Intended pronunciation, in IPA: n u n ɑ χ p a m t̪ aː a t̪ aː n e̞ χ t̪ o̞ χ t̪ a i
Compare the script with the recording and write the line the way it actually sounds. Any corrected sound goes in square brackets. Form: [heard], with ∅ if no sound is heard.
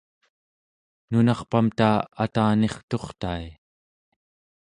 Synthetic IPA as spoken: n u n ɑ χ p a m t̪ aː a t̪ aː n e̞ χ t̪ o̞ χ t̪ a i

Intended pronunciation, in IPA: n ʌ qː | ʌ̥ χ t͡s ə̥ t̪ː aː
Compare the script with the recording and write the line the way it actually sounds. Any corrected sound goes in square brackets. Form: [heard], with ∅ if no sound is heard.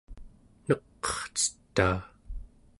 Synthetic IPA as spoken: n ʌ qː | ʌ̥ χ t͡s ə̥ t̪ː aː

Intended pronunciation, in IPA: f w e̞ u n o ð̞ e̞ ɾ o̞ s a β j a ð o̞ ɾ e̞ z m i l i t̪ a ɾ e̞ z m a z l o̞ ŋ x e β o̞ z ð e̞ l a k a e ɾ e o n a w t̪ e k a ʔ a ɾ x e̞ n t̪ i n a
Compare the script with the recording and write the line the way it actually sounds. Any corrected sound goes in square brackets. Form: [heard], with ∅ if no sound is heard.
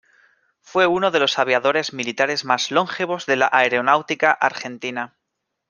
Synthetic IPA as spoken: f w e̞ u n o ð̞ e̞ [l] o̞ s a β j a ð o̞ ɾ e̞ z m i l i t̪ a ɾ e̞ z m a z l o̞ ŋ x e β o̞ z ð e̞ l a [ʔ] a e ɾ e o n a w t̪ [i] k a ʔ a ɾ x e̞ n t̪ i n a

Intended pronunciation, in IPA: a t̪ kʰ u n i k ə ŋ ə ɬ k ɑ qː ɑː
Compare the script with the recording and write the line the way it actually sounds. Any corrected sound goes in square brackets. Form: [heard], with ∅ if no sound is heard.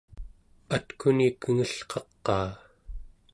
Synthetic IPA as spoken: a t̪ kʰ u n i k ə ŋ ə ɬ [q] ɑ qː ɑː

